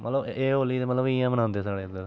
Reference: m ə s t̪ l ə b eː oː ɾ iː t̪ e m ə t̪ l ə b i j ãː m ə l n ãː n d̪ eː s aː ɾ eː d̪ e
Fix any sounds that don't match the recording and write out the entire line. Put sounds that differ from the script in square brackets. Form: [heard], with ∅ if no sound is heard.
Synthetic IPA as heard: m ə [∅] t̪ l ə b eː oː [l] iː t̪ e m ə t̪ l ə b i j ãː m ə [∅] n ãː n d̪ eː s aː [ɽ] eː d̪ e